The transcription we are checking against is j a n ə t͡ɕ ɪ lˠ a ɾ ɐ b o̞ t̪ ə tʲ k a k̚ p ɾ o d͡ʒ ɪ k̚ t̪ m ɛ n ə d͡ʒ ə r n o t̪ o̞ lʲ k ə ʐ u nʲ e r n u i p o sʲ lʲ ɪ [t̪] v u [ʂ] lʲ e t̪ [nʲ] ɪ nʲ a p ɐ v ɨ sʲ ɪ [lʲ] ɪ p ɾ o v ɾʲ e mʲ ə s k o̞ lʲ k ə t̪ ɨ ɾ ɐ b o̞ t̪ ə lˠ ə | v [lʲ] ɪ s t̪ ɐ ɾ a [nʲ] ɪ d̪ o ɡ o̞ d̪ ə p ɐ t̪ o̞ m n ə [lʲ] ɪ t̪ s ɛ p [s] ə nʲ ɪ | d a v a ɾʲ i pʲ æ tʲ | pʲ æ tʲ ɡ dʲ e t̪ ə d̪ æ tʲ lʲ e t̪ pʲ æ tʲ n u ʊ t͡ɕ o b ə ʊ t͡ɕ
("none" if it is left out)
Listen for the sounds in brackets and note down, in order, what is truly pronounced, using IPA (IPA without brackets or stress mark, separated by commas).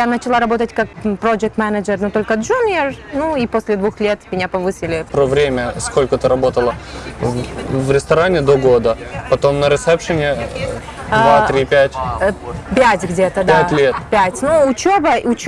d̪, x, mʲ, lʲ, ɾʲ, nʲ, ɾʲ, ʂ